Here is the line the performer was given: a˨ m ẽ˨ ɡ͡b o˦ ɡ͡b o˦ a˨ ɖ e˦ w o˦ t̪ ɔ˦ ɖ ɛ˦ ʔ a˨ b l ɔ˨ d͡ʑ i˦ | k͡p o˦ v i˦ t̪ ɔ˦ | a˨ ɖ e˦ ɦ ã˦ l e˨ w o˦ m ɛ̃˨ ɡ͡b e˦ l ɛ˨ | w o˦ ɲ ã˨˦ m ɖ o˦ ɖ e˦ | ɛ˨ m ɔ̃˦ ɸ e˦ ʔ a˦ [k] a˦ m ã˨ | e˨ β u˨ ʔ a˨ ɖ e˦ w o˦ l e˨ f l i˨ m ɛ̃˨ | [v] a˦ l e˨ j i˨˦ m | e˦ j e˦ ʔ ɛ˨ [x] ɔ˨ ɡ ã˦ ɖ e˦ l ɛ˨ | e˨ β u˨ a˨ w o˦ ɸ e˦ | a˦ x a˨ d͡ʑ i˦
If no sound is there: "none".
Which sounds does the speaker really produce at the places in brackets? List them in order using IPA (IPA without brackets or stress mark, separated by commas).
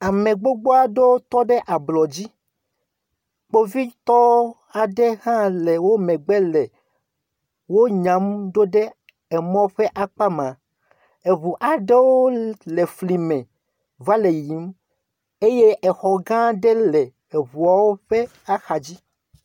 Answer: k͡p, v, x